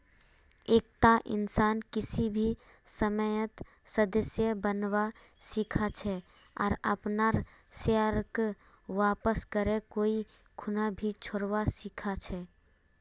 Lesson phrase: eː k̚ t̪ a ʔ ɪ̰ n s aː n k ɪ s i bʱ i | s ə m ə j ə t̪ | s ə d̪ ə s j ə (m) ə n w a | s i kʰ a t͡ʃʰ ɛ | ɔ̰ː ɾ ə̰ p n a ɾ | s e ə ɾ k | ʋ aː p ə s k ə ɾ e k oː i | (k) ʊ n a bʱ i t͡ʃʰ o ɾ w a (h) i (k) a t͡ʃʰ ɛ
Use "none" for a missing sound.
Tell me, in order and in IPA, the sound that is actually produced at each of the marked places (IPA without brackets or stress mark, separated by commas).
b, kʰ, s, kʰ